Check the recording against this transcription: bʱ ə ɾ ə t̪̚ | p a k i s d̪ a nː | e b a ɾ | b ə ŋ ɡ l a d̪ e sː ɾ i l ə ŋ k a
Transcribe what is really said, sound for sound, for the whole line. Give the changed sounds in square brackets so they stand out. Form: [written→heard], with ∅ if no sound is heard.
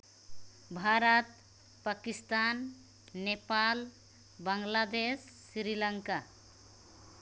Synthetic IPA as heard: bʱ [ə→a] ɾ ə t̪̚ | p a k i s [d̪→t̪] a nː | e [b→p] a [ɾ→l] | b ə ŋ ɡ l a d̪ e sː ɾ i l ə ŋ k a